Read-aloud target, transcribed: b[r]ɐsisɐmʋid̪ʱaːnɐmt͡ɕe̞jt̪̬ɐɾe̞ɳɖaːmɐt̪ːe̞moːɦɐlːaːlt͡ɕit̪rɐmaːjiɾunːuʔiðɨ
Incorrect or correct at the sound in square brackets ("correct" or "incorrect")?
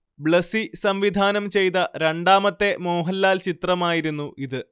incorrect